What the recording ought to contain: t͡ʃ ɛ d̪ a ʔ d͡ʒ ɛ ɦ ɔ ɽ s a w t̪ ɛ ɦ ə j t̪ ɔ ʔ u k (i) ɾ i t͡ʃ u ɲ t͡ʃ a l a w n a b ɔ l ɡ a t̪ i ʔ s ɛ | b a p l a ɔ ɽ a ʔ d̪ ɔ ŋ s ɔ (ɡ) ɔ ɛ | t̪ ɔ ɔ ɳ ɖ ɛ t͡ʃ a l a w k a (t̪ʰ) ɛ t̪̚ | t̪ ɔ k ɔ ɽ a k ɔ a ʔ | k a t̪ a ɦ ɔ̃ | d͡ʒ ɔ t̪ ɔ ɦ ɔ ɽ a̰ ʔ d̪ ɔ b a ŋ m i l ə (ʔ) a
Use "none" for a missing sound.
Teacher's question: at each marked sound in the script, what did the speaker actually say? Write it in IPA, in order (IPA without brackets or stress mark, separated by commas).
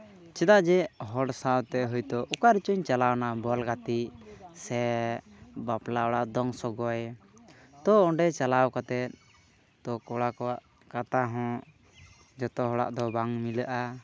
a, ɡ, t̪, ʔ